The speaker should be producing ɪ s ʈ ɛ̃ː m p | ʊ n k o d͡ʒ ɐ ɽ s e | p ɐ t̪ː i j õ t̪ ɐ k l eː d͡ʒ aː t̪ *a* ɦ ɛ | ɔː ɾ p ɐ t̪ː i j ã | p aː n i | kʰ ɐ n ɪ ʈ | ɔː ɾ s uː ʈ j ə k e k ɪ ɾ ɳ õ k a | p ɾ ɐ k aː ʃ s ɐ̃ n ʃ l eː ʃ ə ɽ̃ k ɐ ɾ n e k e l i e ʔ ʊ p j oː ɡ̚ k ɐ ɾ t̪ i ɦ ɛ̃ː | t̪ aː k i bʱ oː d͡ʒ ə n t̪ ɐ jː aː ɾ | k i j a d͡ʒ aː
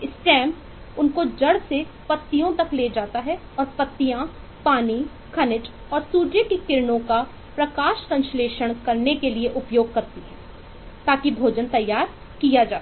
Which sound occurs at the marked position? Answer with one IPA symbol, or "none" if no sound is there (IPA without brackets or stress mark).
a